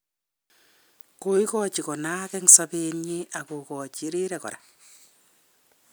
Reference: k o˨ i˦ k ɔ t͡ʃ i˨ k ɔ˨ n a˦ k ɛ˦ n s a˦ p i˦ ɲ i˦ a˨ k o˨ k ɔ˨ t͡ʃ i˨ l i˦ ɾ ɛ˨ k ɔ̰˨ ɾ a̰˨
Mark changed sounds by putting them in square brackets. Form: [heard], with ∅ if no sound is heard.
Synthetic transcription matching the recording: k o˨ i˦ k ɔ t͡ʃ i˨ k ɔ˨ n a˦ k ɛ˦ [ŋ] s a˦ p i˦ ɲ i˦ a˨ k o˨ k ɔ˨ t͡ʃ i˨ [ɾ] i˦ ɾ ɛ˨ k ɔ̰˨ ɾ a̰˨